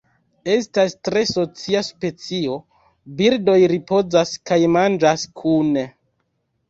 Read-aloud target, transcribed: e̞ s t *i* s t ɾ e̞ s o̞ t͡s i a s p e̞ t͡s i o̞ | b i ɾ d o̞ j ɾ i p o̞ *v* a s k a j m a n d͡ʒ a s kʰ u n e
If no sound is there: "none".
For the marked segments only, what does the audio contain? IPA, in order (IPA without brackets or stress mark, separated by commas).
a, z